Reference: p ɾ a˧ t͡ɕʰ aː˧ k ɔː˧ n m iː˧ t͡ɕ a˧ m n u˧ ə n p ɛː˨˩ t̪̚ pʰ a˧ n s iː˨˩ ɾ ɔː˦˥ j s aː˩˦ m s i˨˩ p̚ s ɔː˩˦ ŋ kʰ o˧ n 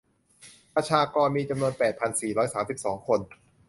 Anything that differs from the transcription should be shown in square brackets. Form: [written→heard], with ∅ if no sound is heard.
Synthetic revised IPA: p ɾ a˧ t͡ɕʰ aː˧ k ɔː˧ n m iː˧ t͡ɕ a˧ m n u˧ ə n p ɛː˨˩ t̪̚ pʰ a˧ n s iː˨˩ ɾ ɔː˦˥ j s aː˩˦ m s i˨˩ p̚ s ɔː˩˦ ŋ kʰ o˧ n